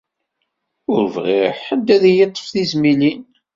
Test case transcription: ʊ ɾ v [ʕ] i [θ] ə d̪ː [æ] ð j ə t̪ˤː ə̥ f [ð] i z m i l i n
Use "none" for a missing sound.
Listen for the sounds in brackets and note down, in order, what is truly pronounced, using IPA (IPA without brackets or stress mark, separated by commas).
ʁ, ħ, æ, θ